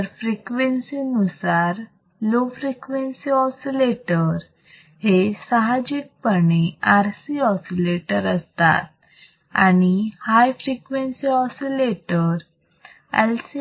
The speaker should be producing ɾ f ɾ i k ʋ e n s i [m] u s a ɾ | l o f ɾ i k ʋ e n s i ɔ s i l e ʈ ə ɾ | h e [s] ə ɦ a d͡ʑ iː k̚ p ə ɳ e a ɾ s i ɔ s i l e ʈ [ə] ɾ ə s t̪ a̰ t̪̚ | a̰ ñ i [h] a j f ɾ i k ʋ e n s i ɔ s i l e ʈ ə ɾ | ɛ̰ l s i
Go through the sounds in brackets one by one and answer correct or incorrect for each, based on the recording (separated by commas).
incorrect, correct, correct, correct